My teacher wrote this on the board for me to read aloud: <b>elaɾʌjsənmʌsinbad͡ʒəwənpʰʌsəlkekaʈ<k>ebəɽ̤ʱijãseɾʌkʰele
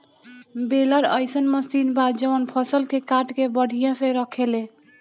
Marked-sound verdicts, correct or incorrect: correct, correct

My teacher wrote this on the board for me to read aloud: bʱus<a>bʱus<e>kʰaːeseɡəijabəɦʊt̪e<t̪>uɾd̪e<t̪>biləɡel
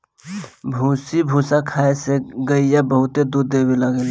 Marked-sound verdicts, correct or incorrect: incorrect, incorrect, incorrect, incorrect

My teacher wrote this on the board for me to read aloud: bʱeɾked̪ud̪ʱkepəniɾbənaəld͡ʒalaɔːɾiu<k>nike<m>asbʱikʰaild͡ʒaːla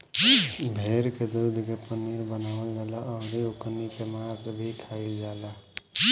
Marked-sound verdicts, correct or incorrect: correct, correct

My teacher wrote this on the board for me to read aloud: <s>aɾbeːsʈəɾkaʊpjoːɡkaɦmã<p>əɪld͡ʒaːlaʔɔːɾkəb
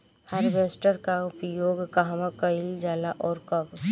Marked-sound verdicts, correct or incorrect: incorrect, incorrect

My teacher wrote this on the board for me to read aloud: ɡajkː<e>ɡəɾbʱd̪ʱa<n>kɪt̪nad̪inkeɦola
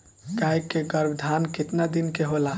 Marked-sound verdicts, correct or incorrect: correct, correct

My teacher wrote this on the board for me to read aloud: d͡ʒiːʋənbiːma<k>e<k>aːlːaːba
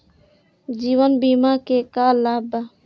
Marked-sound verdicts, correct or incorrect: correct, correct

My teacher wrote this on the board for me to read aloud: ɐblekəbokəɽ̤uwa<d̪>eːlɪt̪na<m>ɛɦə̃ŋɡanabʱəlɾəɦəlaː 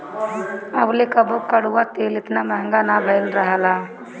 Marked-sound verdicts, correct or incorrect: incorrect, correct

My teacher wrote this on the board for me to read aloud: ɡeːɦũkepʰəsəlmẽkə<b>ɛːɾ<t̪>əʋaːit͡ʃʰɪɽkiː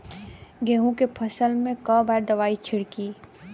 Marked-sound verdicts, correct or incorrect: correct, incorrect

